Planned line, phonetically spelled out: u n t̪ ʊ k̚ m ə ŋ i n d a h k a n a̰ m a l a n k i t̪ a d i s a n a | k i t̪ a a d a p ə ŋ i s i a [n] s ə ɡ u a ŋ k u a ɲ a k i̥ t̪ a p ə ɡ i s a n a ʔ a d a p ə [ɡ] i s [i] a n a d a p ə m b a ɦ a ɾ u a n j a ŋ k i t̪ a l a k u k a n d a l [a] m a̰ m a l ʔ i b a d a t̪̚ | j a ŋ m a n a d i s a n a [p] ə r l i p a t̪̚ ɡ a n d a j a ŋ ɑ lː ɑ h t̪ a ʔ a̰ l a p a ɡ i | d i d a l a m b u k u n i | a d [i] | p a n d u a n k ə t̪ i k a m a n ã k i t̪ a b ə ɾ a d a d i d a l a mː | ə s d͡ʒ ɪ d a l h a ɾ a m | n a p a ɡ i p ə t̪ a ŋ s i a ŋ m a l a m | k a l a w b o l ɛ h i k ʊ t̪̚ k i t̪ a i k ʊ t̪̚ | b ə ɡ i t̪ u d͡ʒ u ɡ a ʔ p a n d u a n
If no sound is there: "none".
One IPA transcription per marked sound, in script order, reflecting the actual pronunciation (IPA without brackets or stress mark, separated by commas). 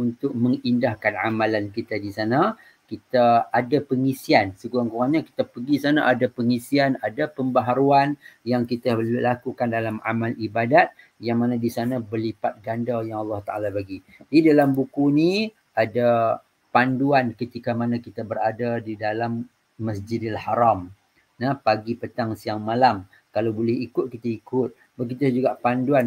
n, ŋ, i, a, b, a